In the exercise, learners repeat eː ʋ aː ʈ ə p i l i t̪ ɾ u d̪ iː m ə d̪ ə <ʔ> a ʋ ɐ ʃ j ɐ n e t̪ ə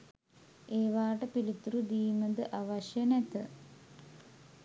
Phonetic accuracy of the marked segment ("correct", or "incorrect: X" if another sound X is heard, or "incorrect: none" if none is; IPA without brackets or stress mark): correct